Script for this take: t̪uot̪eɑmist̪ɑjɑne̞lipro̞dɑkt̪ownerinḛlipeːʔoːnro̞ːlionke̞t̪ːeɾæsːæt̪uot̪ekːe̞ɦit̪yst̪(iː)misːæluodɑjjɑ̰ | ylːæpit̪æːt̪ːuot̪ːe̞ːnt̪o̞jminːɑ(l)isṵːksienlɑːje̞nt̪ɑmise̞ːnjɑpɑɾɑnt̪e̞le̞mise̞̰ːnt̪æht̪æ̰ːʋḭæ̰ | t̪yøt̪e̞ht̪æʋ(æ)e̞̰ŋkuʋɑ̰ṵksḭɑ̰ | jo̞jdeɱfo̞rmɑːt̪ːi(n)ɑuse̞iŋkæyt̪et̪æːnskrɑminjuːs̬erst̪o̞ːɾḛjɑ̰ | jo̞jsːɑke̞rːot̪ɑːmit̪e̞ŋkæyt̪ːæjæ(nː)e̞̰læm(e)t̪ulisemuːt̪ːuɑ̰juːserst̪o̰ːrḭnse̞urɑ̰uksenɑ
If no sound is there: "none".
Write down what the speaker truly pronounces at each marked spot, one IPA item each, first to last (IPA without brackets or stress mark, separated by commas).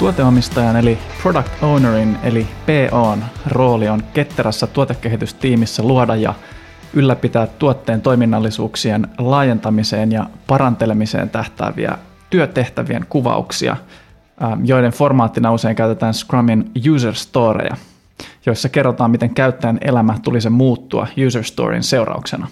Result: iː, lː, i, n, n, æ